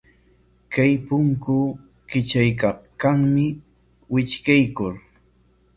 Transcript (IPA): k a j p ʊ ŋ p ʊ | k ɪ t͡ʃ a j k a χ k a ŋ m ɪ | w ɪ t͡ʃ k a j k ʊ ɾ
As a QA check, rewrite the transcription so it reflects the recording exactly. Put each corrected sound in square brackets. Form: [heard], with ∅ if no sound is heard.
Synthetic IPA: k a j p ʊ ŋ [k] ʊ | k ɪ t͡ʃ a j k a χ k a ŋ m ɪ | w ɪ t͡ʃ k a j k ʊ ɾ